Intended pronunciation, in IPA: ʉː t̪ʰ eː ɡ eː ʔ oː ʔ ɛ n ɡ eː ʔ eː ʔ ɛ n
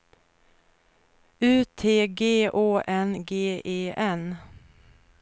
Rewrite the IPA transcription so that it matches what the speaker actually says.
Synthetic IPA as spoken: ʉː t̪ʰ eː ɡ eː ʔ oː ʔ ɛ n ɡ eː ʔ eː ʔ ɛ n